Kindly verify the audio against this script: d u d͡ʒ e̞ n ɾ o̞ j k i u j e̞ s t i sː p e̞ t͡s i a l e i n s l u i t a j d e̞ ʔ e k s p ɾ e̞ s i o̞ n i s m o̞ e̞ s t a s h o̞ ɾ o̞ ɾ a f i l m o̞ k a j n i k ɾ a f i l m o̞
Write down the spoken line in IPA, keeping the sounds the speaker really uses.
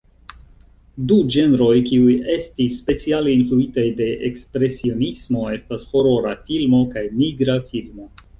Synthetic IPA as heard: d u d͡ʒ e̞ n ɾ o̞ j k i u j e̞ s t i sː p e̞ t͡s i a l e i n f l u i t a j d e̞ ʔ e k s p ɾ e̞ s i o̞ n i s m o̞ e̞ s t a s h o̞ ɾ o̞ ɾ a f i l m o̞ k a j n i ɡ ɾ a f i l m o̞